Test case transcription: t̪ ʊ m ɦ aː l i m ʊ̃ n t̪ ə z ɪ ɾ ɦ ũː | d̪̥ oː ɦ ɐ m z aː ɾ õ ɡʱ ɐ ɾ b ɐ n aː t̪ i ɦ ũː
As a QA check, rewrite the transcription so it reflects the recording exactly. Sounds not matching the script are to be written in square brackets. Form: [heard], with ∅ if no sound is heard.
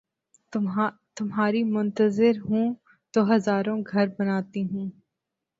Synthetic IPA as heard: t̪ ʊ m ɦ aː [ɾ] i m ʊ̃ n t̪ ə z ɪ ɾ ɦ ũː | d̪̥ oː ɦ ɐ [∅] z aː ɾ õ ɡʱ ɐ ɾ b ɐ n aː t̪ i ɦ ũː